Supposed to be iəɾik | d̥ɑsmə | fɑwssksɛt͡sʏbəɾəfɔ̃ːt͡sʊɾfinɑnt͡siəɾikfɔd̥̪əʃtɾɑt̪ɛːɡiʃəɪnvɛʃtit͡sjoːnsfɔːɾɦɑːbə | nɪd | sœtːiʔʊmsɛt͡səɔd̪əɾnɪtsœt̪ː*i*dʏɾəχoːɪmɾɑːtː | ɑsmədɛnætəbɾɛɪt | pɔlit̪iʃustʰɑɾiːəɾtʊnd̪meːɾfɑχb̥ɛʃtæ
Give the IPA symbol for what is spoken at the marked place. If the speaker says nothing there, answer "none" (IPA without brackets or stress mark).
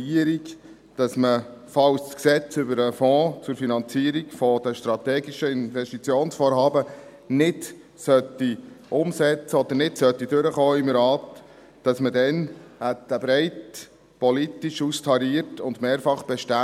i